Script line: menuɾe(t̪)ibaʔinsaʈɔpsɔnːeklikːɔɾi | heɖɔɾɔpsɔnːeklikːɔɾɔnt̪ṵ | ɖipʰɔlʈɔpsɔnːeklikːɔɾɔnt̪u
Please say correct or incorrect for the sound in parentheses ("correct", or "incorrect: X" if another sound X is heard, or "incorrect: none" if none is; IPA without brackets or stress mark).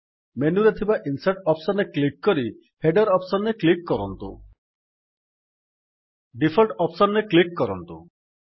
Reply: incorrect: t̪ʰ